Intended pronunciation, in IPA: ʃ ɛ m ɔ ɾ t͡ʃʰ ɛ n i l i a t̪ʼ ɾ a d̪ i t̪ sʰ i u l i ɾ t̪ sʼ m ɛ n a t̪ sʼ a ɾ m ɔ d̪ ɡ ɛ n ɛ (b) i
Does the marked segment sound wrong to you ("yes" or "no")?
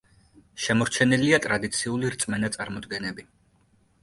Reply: no